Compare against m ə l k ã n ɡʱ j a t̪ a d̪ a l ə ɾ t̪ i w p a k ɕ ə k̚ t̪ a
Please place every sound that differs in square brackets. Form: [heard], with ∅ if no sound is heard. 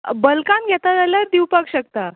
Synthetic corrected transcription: [b] ə l k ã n ɡʱ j [ɛ] t̪ a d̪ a l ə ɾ [d̪] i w p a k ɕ ə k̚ t̪ a